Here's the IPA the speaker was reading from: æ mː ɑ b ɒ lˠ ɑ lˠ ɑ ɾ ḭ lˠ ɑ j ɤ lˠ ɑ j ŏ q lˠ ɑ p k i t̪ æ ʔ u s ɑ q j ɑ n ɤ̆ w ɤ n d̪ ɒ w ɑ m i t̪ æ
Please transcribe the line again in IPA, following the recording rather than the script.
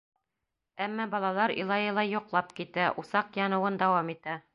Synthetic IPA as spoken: æ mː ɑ b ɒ lˠ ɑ lˠ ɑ ɾ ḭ lˠ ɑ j ɤ lˠ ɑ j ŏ q lˠ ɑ p k i t̪ æ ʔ u s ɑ q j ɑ n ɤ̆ w ɤ n d̪ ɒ w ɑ m i t̪ æ